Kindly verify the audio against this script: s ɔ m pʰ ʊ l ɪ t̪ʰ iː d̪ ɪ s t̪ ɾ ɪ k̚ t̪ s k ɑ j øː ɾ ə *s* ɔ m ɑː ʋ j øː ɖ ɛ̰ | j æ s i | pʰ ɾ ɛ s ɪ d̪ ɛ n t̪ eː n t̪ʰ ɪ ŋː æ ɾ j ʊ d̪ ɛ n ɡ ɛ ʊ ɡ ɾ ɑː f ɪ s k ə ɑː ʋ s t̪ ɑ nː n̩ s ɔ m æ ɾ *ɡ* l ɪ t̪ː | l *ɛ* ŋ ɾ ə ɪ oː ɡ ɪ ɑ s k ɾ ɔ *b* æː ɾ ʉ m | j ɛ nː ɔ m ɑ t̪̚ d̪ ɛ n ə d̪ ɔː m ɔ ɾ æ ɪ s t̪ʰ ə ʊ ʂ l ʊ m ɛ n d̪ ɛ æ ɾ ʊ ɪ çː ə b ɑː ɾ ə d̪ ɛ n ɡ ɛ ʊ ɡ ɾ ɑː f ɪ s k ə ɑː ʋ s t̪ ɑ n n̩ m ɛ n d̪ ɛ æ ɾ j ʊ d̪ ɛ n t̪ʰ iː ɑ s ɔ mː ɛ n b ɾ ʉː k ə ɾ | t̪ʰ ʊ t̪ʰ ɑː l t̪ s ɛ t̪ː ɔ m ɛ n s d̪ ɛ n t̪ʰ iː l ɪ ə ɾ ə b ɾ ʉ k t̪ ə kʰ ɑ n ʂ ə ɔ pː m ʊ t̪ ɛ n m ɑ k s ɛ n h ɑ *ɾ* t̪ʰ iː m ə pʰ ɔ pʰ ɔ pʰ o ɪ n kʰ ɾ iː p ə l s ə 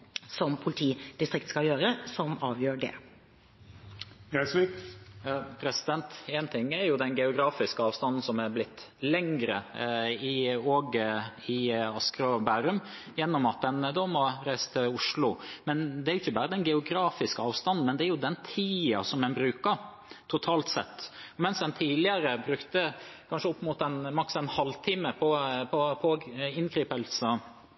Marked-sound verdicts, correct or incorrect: correct, incorrect, correct, correct, incorrect

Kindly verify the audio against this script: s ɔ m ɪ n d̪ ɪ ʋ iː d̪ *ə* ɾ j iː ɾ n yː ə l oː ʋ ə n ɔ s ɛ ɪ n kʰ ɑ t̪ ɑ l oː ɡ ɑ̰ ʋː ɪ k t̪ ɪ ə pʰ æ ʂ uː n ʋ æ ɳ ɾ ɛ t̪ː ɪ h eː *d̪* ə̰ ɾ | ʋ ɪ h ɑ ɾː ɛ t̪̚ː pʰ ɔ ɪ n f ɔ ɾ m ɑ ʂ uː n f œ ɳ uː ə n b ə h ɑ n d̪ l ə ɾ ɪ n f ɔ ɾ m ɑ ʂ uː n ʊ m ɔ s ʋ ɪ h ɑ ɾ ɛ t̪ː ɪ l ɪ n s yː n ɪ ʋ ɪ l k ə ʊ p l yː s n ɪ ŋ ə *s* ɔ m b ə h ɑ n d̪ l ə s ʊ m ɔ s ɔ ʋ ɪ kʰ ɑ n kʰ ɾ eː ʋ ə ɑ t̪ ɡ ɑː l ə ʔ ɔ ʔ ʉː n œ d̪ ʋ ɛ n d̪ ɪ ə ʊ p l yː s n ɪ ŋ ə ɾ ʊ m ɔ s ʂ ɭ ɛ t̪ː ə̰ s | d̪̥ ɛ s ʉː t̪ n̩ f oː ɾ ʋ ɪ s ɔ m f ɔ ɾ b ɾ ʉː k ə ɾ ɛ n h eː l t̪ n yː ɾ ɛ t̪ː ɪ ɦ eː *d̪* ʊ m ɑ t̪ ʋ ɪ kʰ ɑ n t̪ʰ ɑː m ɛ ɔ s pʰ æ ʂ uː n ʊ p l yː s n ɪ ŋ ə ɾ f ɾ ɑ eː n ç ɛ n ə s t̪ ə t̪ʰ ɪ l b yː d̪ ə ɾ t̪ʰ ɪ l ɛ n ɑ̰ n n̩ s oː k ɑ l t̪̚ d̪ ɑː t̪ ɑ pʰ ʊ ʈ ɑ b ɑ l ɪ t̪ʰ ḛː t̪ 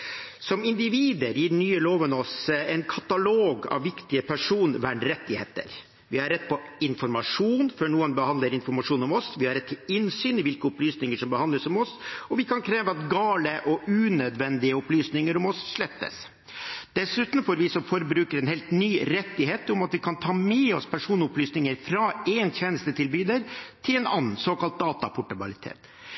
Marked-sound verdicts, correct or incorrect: correct, incorrect, incorrect, incorrect

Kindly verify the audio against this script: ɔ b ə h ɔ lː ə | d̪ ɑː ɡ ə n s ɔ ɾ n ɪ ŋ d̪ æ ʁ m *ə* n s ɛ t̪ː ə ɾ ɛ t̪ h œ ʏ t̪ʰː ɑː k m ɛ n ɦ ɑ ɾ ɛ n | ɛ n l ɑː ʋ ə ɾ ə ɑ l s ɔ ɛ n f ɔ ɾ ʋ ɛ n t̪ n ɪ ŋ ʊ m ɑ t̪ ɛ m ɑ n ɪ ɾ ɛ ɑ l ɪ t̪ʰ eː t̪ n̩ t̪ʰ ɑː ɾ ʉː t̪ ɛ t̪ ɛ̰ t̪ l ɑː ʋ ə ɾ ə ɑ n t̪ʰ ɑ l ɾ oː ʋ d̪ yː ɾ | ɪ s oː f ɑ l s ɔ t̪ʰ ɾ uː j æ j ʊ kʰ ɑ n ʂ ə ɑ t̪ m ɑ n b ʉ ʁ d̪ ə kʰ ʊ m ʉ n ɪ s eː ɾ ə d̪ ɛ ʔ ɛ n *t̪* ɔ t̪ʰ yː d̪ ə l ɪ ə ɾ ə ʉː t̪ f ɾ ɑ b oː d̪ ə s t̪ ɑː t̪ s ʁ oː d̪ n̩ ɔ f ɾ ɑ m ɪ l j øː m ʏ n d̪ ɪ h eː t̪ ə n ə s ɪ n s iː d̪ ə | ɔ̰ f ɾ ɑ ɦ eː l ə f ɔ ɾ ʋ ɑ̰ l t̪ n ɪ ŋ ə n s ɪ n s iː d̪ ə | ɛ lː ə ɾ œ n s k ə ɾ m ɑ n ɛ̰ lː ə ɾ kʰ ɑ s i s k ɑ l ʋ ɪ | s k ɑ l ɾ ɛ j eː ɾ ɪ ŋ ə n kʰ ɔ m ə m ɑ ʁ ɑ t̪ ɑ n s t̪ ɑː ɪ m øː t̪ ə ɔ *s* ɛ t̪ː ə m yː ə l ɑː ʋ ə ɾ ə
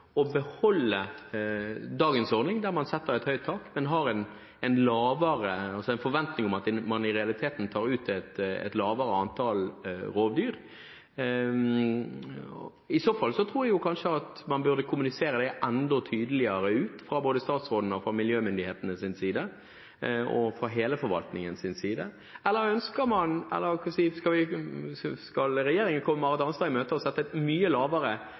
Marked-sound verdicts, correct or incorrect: incorrect, incorrect, correct

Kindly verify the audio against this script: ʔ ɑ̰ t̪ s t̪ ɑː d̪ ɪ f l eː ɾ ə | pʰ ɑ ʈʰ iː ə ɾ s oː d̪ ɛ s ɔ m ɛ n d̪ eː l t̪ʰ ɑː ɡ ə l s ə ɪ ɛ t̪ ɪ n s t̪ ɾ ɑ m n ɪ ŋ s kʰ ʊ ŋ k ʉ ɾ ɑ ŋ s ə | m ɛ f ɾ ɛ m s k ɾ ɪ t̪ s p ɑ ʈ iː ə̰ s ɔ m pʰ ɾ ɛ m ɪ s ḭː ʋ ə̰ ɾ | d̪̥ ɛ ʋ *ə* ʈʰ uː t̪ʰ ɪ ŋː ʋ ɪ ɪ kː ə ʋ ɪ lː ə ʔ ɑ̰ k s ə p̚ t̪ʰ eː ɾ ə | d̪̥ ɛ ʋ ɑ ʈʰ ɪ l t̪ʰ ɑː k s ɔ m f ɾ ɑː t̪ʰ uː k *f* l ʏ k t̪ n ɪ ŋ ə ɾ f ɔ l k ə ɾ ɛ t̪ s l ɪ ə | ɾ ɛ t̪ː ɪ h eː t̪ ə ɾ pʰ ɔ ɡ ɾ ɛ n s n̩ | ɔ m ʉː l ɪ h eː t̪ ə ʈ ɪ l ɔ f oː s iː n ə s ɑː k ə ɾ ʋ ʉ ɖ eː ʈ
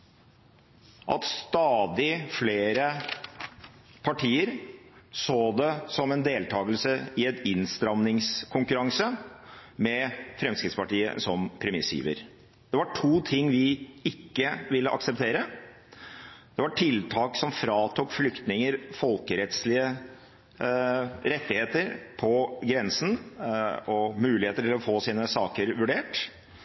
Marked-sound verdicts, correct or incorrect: incorrect, correct

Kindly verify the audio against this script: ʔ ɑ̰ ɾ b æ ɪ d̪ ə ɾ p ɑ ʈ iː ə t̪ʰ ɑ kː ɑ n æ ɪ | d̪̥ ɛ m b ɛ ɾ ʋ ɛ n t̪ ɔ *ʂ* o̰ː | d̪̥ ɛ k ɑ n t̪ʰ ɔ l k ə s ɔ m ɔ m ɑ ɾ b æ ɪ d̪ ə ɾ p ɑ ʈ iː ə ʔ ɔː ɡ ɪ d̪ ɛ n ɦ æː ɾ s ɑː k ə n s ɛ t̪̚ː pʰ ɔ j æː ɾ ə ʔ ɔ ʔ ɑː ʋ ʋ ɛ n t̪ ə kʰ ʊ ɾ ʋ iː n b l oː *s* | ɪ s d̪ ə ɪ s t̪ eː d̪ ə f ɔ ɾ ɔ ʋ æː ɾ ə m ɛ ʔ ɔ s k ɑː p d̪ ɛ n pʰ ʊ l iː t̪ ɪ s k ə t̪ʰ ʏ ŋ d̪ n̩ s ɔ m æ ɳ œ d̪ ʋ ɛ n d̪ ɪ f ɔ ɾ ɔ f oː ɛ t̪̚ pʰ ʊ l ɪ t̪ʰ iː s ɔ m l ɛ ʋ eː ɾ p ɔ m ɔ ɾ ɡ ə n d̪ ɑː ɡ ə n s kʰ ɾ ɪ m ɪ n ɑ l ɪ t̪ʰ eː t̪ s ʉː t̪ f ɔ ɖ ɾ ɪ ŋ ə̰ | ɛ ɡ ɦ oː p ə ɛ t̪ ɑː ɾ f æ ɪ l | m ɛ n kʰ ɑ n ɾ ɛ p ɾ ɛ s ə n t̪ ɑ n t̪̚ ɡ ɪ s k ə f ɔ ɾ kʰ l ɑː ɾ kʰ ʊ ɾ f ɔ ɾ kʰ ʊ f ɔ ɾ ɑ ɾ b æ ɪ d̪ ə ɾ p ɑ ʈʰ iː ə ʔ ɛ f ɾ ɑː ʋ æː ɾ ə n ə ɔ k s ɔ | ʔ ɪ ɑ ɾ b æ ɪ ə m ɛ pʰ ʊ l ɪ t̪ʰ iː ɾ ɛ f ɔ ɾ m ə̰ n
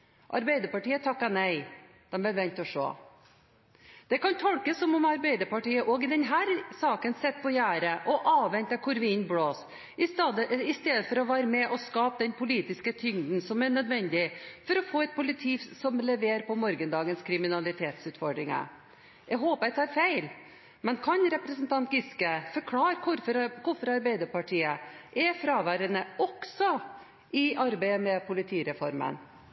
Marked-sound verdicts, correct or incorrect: correct, correct

